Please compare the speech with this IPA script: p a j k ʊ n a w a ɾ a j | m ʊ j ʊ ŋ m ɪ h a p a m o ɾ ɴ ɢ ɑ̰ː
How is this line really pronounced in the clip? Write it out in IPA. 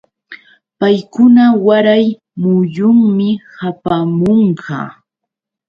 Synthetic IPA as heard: p a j k ʊ n a w a ɾ a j | m ʊ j ʊ ŋ m ɪ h a p a m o ɴ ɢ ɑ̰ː